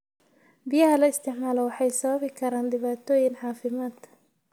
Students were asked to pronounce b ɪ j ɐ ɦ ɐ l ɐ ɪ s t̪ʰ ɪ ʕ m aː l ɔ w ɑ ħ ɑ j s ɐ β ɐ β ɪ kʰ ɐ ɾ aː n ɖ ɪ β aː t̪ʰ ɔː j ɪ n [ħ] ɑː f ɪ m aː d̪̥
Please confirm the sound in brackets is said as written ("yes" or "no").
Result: yes